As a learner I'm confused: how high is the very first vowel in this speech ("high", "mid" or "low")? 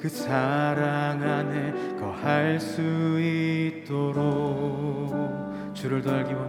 high